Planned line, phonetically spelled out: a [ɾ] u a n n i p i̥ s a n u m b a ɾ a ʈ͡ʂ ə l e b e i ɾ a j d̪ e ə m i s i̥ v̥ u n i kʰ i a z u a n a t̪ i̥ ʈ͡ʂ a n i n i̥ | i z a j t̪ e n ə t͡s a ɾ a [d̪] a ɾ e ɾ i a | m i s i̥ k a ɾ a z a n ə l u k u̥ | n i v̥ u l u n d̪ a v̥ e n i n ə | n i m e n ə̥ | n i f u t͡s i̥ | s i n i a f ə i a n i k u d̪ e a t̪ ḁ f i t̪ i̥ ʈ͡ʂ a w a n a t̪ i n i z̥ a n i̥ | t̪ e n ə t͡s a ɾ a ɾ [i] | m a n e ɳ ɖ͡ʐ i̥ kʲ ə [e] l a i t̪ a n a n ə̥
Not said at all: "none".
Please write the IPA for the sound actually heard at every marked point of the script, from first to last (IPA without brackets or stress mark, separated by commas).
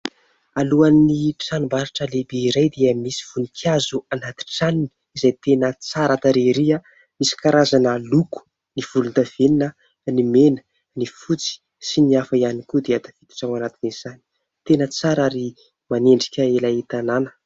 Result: l, t̪, i, e